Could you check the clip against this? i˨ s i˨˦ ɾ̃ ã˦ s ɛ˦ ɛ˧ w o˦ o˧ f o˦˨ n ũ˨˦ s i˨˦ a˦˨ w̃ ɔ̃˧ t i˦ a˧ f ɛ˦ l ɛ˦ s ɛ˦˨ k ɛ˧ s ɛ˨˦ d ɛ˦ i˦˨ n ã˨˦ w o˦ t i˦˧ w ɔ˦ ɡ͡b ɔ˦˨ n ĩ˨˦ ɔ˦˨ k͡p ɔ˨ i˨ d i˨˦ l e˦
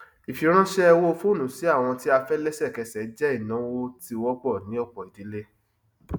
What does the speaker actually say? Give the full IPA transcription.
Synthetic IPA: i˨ f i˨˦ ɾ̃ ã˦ ʃ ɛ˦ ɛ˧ w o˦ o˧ f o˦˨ n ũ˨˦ s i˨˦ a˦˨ w̃ ɔ̃˧ t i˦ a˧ f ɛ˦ l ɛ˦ s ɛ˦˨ k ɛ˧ s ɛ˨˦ d͡ʒ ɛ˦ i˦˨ n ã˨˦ w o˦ t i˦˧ w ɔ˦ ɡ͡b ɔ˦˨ n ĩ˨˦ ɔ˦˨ k͡p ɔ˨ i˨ d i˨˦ l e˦